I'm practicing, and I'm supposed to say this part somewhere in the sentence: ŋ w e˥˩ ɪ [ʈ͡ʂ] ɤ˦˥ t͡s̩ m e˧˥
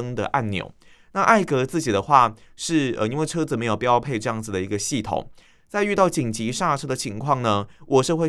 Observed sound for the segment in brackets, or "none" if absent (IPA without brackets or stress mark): ʈ͡ʂʰ